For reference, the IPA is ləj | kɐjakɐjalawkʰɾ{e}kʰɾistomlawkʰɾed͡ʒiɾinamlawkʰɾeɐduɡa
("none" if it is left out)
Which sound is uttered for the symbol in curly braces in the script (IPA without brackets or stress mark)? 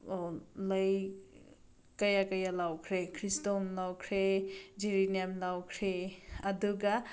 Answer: e